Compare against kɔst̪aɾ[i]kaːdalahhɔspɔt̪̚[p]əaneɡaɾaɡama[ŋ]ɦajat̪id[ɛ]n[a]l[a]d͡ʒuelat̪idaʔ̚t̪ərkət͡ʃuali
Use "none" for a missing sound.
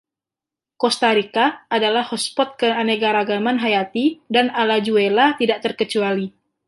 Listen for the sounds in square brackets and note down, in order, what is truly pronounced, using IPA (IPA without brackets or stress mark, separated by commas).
i, k, n, a, a, a